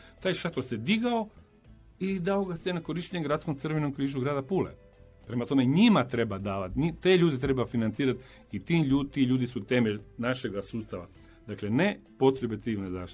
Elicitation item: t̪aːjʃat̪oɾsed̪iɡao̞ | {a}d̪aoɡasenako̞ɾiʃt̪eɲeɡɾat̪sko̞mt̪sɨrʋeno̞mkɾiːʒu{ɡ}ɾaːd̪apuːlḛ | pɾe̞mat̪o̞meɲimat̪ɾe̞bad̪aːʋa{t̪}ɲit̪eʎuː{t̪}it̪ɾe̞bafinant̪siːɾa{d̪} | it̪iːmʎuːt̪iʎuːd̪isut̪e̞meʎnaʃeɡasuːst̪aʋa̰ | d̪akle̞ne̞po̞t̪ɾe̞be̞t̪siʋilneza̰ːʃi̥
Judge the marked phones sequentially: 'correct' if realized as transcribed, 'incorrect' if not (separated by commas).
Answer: incorrect, correct, correct, incorrect, incorrect